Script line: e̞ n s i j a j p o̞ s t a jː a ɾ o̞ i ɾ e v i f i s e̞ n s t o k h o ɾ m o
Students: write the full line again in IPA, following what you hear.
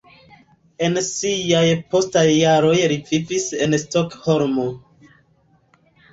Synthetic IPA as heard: e̞ n s i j a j p o̞ s t a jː a ɾ o̞ j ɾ i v i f i s e̞ n s t o k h o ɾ m o